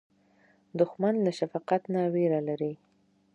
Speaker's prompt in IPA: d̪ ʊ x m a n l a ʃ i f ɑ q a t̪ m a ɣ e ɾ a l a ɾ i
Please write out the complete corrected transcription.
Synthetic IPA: d̪ ʊ x m a n l a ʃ a f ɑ q a t̪ n a w e ɾ a l a ɾ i